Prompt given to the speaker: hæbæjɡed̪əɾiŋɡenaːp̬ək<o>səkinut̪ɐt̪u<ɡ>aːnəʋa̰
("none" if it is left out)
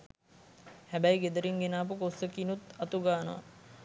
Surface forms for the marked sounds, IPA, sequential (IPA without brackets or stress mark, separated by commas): o, ɡ